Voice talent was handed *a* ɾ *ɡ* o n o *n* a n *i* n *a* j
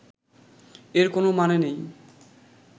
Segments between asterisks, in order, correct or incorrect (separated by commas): incorrect, incorrect, incorrect, incorrect, incorrect